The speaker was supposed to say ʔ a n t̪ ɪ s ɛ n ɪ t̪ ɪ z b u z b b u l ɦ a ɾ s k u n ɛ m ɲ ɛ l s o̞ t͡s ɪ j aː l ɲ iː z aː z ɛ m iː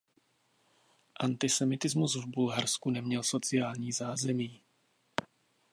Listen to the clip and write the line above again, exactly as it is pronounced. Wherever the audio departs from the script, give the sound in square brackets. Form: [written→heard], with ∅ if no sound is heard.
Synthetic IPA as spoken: ʔ a n t̪ ɪ s ɛ [n→m] ɪ t̪ ɪ z [b→m] u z [b→v] b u l ɦ a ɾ s k u n ɛ m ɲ ɛ l s o̞ t͡s ɪ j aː l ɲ iː z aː z ɛ m iː